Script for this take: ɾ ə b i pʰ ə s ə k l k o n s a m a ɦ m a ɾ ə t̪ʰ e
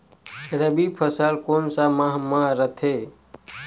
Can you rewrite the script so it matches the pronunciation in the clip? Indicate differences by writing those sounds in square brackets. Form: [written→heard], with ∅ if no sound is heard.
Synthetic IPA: ɾ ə b i pʰ ə s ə [k→∅] l k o n s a m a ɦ m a ɾ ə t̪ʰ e